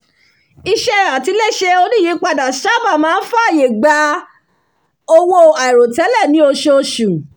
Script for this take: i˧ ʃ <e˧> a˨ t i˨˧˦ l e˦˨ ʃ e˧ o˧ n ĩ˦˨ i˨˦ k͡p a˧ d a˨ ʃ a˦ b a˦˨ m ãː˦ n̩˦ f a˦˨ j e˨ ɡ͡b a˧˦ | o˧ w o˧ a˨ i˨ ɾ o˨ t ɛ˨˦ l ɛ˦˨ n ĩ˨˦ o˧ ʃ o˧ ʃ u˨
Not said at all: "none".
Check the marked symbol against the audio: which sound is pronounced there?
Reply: ɛ˧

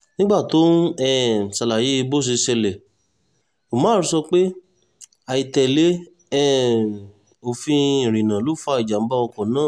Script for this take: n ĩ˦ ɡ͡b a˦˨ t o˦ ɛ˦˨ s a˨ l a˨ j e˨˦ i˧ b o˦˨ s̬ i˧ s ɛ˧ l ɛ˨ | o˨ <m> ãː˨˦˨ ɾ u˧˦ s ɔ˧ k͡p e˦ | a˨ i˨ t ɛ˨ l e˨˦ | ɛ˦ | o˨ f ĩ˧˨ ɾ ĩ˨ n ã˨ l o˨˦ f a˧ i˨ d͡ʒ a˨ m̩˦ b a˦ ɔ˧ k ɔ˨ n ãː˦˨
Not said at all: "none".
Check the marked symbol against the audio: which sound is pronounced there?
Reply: m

